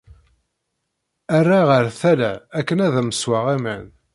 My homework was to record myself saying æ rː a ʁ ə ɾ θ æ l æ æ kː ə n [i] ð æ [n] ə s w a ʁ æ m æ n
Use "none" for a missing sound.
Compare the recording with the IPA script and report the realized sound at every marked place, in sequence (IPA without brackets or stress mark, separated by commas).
æ, m